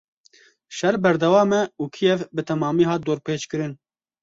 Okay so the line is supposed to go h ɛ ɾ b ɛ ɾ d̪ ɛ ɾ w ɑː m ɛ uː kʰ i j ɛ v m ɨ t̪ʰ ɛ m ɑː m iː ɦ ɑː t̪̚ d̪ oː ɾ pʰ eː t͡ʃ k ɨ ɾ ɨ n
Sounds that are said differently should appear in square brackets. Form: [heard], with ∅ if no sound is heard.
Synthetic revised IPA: [ʃ] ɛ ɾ b ɛ ɾ d̪ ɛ [∅] w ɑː m ɛ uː kʰ i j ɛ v [b] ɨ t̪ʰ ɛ m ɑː m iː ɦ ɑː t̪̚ d̪ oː ɾ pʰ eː t͡ʃ k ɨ ɾ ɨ n